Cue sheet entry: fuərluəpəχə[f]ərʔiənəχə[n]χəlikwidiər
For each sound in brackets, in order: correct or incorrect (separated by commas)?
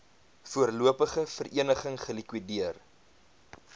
correct, incorrect